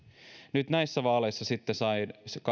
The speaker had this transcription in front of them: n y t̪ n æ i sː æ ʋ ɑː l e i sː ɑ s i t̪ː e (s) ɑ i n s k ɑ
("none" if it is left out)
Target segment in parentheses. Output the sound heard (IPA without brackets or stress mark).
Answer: s